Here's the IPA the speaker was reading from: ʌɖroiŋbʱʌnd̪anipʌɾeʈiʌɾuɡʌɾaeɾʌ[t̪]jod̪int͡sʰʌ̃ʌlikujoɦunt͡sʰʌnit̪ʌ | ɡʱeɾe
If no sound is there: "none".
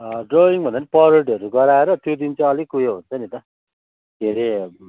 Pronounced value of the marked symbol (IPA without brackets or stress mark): t̪